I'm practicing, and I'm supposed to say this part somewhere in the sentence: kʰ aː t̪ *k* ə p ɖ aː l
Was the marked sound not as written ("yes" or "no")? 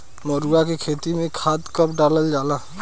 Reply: no